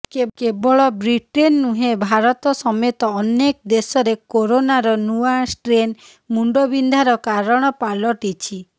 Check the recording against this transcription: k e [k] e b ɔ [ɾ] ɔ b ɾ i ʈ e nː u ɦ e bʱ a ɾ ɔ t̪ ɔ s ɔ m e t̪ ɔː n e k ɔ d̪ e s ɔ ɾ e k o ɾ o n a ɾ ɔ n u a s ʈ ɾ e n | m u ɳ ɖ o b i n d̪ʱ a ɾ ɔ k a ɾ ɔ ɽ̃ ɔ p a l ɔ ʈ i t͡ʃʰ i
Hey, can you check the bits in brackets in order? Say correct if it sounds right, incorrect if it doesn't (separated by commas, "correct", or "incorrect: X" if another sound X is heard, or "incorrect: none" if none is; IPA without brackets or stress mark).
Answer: correct, incorrect: ɭ